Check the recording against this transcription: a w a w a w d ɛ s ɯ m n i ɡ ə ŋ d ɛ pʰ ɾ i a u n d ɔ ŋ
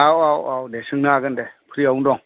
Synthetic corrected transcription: a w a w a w d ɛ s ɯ ŋ n a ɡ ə n d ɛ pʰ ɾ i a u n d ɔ ŋ